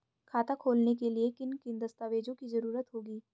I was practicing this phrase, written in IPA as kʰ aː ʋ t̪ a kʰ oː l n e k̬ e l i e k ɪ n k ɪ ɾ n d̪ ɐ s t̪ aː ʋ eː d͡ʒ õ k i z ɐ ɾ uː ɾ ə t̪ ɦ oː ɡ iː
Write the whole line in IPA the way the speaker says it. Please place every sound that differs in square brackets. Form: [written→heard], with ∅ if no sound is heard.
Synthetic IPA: kʰ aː [ʋ→∅] t̪ a kʰ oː l n e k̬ e l i e k ɪ n k ɪ [ɾ→∅] n d̪ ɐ s t̪ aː ʋ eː d͡ʒ õ k i z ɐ ɾ uː ɾ ə t̪ ɦ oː ɡ iː